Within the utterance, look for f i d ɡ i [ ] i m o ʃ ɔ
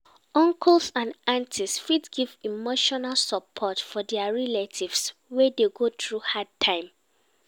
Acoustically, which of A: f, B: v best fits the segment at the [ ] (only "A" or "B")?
B